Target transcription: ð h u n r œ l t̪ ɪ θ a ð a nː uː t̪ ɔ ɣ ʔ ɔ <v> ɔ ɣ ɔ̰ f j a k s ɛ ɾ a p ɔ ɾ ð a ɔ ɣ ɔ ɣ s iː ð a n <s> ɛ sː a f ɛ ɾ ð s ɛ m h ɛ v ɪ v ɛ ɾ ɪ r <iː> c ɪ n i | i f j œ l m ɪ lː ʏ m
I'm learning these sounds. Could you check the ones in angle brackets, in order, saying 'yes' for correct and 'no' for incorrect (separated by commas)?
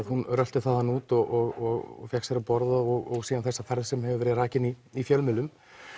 no, no, no